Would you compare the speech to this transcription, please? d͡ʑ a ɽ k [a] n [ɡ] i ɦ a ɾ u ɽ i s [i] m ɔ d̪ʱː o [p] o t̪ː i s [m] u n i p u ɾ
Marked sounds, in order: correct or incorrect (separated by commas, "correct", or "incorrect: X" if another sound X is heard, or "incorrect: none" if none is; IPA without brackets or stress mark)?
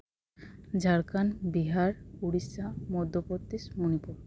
correct, incorrect: b, incorrect: a, correct, correct